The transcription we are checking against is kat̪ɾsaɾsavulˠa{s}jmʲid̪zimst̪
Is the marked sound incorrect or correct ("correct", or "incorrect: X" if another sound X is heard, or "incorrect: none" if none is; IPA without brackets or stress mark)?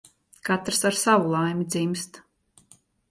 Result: incorrect: none